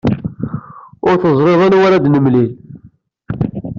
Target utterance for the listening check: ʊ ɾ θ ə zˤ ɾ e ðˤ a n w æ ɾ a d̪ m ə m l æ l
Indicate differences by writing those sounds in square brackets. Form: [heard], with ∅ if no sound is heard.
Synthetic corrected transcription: ʊ ɾ θ ə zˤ ɾ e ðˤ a n w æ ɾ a d̪ [n] ə m l [i] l